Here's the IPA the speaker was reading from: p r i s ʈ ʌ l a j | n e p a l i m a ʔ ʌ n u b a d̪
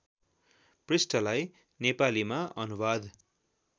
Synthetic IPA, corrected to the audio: p r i s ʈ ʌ l a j | n e p a l i m a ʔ ʌ n u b a d̪